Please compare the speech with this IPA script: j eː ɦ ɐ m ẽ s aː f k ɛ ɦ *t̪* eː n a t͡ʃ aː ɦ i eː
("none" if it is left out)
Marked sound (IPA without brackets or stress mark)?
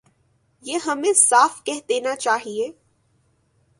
d̪